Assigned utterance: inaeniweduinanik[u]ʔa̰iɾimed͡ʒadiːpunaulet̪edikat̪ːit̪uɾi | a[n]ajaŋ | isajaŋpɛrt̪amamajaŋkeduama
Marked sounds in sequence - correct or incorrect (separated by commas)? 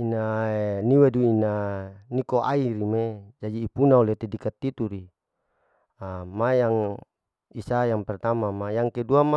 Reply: incorrect, incorrect